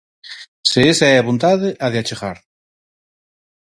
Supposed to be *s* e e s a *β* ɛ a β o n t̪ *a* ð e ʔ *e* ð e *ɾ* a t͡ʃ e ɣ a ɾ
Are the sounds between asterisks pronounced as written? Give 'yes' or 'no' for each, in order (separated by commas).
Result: yes, no, yes, no, no